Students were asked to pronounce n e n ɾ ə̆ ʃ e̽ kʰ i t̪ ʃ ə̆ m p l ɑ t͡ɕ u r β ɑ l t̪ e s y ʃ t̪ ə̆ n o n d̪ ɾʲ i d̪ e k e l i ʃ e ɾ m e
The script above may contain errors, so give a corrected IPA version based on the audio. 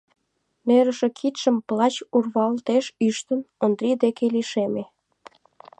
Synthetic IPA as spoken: n e ɾ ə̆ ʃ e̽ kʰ i t̪ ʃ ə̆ m p l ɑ t͡ɕ u r β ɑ l t̪ e ʃ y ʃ t̪ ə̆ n o n d̪ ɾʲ i d̪ e k e l i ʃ e m e